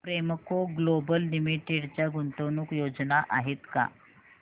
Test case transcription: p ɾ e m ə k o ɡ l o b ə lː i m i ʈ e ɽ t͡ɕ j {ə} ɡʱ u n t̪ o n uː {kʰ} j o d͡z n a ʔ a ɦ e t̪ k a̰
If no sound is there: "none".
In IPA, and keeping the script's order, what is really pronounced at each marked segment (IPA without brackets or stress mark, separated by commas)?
a, k